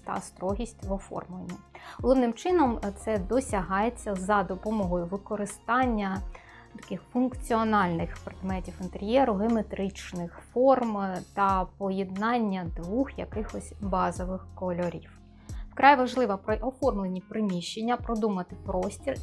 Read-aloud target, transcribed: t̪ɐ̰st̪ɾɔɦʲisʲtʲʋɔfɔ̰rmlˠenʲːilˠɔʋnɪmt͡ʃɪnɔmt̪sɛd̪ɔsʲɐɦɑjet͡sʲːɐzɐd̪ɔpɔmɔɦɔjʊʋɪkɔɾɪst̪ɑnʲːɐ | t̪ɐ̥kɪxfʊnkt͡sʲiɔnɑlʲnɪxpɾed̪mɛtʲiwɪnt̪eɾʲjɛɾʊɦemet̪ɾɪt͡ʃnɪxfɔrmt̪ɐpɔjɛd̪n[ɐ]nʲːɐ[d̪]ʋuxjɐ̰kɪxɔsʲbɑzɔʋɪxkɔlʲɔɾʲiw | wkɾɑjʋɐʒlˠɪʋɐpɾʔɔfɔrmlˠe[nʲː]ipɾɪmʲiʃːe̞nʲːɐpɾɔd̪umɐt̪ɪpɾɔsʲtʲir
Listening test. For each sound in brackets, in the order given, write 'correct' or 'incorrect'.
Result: incorrect: ɑ, correct, incorrect: nʲ

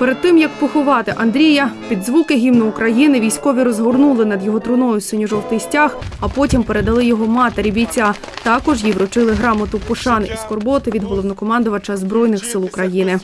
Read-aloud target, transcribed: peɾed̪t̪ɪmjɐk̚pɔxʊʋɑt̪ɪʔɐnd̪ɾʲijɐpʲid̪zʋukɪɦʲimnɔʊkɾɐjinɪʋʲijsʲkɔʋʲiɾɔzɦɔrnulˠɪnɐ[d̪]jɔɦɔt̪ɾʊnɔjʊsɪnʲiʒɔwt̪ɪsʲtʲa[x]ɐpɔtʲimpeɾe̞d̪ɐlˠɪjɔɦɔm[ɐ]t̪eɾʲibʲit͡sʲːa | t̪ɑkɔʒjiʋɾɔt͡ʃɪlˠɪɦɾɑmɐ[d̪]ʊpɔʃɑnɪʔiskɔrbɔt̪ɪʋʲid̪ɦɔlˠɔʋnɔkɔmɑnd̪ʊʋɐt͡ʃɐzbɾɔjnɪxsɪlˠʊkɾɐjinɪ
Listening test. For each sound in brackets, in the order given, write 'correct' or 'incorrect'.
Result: correct, correct, incorrect: ɑ, incorrect: t̪

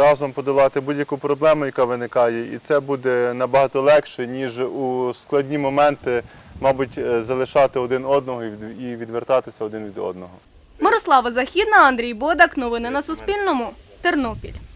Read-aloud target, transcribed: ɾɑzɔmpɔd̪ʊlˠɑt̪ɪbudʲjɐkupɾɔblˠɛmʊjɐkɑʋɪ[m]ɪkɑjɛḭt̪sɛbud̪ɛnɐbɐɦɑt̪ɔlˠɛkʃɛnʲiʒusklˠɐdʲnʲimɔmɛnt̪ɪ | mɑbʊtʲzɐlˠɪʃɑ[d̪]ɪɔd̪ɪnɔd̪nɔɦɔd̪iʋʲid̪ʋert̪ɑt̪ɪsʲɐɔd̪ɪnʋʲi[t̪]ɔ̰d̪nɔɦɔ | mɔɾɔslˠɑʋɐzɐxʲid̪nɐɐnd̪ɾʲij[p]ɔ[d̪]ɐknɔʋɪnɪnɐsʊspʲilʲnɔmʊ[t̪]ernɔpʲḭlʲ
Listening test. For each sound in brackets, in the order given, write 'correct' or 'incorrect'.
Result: incorrect: n, incorrect: t̪, incorrect: d̪, incorrect: b, correct, correct

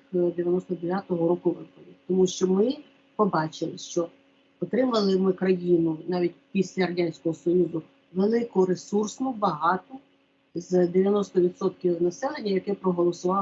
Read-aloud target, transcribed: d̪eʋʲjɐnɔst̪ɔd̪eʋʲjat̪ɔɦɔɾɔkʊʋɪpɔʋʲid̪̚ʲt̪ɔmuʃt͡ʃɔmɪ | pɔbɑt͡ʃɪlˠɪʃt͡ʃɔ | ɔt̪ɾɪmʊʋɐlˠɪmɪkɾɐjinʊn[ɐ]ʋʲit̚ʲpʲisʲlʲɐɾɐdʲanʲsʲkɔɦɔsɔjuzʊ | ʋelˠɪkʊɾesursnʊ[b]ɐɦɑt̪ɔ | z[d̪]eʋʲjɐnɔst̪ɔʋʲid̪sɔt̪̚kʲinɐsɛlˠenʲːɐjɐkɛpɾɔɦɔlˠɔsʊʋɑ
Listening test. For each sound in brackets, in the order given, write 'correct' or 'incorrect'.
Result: incorrect: ɑ, correct, correct

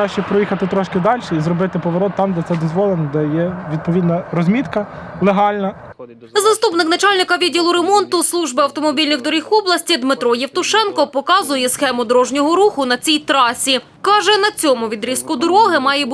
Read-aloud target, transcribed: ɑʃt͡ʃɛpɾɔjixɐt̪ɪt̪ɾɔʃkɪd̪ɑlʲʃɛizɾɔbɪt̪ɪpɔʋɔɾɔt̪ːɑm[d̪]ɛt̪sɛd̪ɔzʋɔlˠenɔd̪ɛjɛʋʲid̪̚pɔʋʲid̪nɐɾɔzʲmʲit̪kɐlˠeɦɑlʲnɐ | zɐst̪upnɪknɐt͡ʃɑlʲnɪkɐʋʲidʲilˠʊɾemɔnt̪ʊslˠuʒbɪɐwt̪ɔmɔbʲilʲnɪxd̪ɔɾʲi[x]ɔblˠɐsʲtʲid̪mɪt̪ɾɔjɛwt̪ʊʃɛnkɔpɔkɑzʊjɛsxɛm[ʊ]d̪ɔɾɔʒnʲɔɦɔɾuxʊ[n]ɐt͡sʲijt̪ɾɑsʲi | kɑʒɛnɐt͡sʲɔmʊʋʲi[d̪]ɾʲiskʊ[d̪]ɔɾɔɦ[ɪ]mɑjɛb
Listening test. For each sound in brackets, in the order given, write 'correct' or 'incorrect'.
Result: correct, correct, correct, correct, correct, correct, correct

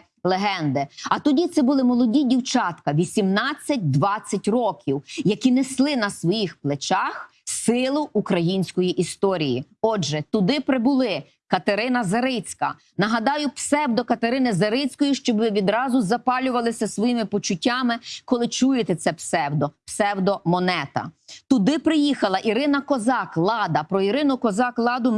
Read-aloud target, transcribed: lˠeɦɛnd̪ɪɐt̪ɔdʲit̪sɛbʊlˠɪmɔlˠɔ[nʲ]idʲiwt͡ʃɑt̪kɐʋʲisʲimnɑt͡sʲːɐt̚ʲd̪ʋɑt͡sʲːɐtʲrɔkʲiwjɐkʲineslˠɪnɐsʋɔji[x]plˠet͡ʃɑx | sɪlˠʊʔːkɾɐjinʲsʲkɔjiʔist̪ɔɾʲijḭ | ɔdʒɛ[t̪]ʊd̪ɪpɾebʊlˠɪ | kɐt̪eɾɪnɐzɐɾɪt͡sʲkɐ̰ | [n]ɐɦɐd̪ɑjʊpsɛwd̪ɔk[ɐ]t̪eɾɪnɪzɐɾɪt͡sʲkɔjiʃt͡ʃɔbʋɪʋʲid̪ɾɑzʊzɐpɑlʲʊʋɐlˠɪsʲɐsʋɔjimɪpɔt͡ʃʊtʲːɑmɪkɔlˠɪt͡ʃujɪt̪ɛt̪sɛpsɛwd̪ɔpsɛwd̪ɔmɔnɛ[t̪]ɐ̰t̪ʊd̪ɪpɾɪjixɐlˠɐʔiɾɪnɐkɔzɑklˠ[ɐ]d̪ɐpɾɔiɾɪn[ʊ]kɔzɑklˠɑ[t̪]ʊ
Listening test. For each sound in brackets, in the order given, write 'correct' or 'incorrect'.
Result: incorrect: dʲ, correct, correct, correct, correct, correct, incorrect: ɑ, correct, incorrect: d̪

